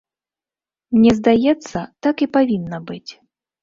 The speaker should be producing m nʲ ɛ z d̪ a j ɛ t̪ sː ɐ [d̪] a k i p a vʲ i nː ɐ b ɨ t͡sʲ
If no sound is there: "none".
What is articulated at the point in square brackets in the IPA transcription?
t̪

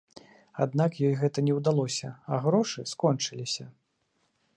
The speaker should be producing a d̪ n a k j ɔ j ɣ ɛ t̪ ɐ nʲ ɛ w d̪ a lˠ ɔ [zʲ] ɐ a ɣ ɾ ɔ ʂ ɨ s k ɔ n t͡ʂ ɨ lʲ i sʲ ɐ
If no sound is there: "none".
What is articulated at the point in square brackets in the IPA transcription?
sʲ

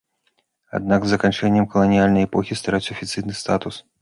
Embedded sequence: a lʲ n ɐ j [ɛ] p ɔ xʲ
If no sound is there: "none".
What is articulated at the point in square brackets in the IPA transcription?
ɛ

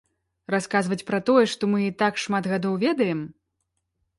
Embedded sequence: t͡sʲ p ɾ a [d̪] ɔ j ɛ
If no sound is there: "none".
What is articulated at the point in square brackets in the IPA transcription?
t̪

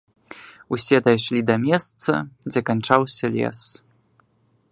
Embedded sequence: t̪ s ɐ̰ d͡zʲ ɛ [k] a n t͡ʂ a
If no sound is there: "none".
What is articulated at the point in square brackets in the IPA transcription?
k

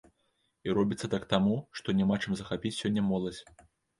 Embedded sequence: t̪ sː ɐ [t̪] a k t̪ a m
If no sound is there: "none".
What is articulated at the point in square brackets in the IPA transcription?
t̪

